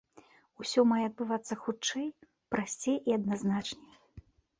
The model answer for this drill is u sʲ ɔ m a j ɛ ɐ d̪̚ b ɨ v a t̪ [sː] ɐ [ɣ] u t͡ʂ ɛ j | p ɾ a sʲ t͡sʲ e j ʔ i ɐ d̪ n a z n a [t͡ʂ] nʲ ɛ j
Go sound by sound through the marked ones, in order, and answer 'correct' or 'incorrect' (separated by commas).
correct, incorrect, correct